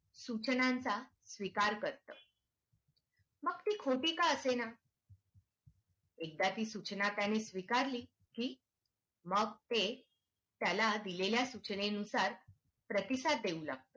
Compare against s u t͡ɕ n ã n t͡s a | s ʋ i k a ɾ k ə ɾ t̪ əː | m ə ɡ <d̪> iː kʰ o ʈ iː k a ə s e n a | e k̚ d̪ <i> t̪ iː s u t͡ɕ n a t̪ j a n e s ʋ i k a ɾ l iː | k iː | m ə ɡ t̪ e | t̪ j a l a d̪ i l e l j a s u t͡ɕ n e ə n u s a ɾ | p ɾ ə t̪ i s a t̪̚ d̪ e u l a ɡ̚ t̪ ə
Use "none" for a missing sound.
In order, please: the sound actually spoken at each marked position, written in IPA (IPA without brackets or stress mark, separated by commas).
t̪, a